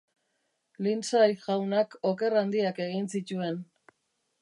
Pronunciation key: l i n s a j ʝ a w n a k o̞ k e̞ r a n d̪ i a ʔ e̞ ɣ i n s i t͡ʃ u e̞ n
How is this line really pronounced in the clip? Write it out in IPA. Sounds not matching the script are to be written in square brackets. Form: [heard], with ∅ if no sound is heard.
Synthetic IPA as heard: l i n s a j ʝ a w n a k o̞ k e̞ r a n d̪ i a [k] e̞ ɣ i n s i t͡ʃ u e̞ n